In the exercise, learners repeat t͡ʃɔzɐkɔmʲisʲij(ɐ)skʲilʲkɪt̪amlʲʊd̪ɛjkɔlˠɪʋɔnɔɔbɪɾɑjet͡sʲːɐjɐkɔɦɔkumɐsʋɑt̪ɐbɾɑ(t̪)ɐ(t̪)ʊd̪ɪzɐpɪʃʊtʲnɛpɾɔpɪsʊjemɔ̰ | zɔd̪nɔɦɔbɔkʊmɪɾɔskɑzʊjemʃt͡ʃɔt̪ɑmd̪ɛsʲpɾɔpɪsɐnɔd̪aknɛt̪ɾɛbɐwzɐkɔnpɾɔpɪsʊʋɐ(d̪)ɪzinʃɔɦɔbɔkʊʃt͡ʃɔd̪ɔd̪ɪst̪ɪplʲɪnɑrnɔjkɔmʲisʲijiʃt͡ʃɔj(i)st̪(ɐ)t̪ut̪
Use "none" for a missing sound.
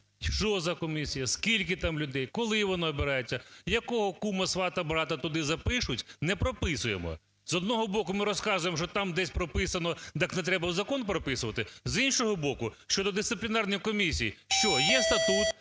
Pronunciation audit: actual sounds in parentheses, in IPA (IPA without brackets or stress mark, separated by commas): ɐ, t̪, t̪, t̪, ɛ, ɐ